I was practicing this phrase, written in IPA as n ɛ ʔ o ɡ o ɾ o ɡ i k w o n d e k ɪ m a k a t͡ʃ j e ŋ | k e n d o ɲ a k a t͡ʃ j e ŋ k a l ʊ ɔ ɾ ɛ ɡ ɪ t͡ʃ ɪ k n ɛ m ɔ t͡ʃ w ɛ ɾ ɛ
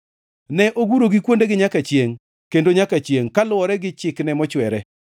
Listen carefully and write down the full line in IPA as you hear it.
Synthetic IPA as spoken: n ɛ ʔ o ɡ u ɾ o ɡ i k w o n d e ɡ ɪ ɲ a k a t͡ʃ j e ŋ | k e n d o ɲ a k a t͡ʃ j e ŋ k a l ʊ ɔ ɾ ɛ ɡ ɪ t͡ʃ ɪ k n ɛ m ɔ t͡ʃ w ɛ ɾ ɛ